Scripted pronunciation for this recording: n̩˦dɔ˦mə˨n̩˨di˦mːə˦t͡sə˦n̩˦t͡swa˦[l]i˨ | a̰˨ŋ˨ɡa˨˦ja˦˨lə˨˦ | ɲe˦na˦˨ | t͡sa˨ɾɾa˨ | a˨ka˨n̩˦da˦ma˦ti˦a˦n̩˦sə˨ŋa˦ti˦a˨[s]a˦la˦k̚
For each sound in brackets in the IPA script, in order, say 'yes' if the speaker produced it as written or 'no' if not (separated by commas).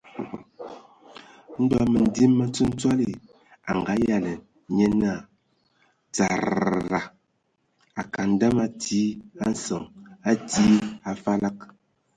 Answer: yes, no